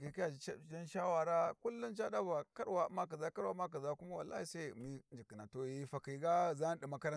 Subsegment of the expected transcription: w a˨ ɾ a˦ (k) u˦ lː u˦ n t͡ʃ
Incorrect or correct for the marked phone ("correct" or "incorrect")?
correct